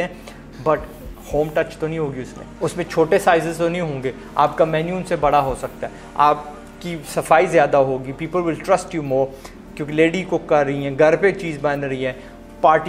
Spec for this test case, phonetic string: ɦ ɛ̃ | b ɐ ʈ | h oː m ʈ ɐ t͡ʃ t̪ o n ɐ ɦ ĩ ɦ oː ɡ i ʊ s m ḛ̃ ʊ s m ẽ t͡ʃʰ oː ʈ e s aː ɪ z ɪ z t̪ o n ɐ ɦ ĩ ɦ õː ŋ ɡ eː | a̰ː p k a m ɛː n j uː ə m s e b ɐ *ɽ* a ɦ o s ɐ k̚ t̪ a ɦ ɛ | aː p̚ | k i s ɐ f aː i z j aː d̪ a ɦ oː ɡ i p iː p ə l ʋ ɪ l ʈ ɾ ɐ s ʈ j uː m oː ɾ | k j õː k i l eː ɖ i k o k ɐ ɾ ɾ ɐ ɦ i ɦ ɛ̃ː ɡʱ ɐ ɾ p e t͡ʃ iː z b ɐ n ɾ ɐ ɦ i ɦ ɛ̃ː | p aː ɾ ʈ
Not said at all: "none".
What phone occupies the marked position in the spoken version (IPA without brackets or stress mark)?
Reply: ɽ